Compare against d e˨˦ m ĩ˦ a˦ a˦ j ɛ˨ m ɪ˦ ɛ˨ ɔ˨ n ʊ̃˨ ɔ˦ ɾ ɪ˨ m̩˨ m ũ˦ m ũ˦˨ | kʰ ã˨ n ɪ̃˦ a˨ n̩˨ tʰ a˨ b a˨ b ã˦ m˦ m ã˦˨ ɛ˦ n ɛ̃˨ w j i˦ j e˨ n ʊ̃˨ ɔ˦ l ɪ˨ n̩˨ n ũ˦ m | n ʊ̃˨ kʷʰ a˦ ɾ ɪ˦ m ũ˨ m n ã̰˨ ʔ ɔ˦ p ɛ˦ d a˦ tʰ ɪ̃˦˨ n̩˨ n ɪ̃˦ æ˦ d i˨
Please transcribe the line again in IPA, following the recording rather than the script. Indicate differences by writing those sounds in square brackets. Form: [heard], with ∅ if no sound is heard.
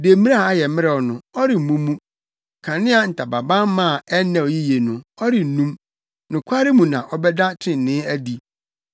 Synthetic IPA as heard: d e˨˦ m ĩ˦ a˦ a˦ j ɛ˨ m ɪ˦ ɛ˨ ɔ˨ n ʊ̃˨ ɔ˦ ɾ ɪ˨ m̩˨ m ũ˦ m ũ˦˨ | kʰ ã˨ n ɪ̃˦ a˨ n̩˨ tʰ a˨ b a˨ b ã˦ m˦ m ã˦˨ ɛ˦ n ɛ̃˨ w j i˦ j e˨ n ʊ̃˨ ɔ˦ [ɾ] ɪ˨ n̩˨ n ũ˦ m | n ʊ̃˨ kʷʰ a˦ ɾ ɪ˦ m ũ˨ [∅] n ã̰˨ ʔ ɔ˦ [b] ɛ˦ d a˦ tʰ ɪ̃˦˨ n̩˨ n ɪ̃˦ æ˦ d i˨